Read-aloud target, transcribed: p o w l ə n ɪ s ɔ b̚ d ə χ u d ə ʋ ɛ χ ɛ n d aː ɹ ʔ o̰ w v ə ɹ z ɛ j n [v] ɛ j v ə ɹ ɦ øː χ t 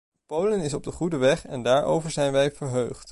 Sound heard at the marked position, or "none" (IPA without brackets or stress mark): ʋ